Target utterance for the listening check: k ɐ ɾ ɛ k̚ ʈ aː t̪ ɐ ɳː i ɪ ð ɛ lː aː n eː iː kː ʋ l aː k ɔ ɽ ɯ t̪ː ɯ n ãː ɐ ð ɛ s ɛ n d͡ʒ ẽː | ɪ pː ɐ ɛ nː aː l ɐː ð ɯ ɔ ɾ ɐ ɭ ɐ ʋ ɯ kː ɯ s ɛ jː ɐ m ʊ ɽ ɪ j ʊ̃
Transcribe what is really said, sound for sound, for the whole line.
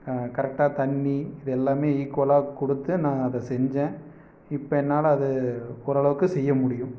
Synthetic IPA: k ɐ ɾ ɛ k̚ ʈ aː t̪ ɐ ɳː i ɪ ð ɛ lː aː m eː iː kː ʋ l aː k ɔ ɽ ɯ t̪ː ɯ n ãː ɐ ð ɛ s ɛ ɲ d͡ʒ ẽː | ɪ pː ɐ ɛ nː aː l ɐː ð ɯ ɔ ɾ ɐ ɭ ɐ ʋ ɯ kː ɯ s ɛ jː ɐ m ʊ ɽ ɪ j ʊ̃